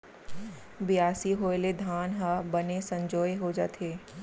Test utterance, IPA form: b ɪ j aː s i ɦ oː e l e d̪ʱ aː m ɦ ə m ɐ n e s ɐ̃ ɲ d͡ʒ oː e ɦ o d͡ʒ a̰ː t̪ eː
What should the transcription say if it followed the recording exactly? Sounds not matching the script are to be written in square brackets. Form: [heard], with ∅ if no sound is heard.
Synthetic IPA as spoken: b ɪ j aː s i ɦ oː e l e d̪ʱ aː [n] ɦ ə [b] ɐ n e s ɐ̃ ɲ d͡ʒ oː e ɦ o d͡ʒ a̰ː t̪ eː